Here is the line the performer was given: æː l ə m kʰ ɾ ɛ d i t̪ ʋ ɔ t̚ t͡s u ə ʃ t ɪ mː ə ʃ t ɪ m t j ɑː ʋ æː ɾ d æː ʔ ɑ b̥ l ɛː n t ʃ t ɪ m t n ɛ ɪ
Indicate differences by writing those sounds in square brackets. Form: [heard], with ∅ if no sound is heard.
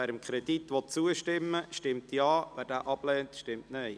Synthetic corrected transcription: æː [ɾ] ə m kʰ ɾ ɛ d i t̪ ʋ ɔ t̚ t͡s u ə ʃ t ɪ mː ə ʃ t ɪ m t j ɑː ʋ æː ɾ d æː ʔ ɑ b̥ l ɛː n t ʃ t ɪ m t n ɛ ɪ